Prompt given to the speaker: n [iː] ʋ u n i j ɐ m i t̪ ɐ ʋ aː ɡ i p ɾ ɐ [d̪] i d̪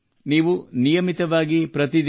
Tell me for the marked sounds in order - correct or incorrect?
correct, incorrect

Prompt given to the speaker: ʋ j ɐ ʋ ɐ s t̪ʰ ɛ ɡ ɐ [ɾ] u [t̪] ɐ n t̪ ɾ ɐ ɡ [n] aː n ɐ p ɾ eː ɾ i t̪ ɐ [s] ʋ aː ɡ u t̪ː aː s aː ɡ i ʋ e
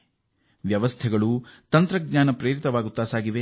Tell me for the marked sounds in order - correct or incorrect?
incorrect, correct, incorrect, incorrect

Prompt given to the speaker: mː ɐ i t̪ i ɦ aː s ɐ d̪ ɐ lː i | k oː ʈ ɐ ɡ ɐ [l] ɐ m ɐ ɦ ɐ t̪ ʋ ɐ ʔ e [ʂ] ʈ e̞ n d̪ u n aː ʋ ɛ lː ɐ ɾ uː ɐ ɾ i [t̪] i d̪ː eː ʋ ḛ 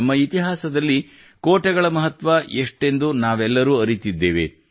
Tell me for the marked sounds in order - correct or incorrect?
incorrect, correct, correct

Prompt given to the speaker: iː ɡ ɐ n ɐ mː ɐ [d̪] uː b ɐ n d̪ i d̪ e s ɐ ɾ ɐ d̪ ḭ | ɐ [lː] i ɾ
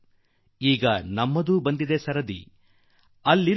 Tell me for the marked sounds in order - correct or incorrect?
correct, correct

